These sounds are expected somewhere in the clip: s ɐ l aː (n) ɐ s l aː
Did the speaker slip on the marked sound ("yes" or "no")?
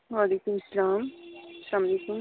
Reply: yes